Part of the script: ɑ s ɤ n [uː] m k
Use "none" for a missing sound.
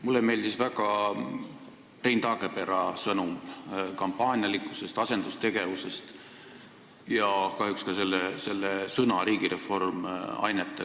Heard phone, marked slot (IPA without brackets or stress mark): u